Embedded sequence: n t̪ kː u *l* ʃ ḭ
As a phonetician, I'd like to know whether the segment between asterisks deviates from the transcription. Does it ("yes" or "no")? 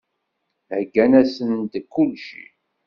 no